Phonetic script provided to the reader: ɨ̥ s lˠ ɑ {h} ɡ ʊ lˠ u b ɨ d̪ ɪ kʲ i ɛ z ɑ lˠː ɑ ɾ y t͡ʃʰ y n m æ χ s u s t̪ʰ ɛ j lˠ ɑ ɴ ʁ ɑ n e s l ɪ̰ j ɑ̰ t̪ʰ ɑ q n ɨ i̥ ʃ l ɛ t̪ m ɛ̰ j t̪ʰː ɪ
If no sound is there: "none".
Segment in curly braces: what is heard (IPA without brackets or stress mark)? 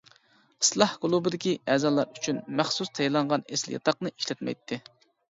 h